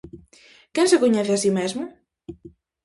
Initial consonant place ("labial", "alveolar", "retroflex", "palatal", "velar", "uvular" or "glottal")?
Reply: velar